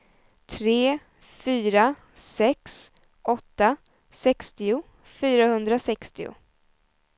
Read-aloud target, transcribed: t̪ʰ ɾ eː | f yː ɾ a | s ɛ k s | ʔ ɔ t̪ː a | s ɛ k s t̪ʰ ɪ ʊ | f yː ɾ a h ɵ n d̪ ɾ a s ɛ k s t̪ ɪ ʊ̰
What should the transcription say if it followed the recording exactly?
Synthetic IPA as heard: t̪ʰ ɾ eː | f yː ɾ a | s ɛ k s | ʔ ɔ t̪ː a | s ɛ k s t̪ ɪ ʊ | f yː ɾ a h ɵ n d̪ ɾ a s ɛ k s t̪ ɪ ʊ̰

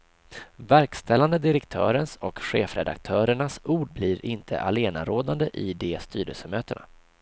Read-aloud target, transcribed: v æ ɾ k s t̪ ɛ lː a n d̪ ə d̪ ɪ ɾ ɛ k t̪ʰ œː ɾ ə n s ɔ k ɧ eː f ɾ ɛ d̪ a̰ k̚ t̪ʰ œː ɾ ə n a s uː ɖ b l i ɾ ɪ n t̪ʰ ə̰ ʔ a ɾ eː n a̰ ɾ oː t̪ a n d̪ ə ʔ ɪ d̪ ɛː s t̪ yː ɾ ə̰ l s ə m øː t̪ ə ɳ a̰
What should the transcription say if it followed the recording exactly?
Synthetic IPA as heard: v æ ɾ k s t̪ ɛ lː a n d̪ ə d̪ ɪ ɾ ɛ k t̪ʰ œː ɾ ə n s ɔ k ɧ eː f ɾ ɛ d̪ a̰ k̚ t̪ʰ œː ɾ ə ɳ a s uː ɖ b l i ɾ ɪ n t̪ʰ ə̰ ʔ a l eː n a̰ ɾ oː d̪ a n d̪ ə ʔ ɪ d̪ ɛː s t̪ yː ɾ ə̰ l s ə m øː t̪ ə ɳ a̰

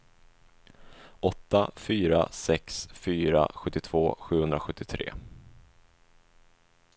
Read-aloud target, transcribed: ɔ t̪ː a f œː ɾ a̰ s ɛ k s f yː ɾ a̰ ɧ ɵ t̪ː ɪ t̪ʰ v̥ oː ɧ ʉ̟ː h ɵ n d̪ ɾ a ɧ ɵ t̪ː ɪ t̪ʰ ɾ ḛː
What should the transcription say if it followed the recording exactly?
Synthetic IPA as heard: ɔ t̪ː a f yː ɾ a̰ s ɛ k s f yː ɾ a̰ ɧ ɵ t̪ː ɪ t̪ʰ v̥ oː ɧ ʉ̟ː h ɵ n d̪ ɾ a ɧ ɵ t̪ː ɪ t̪ʰ ɾ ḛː

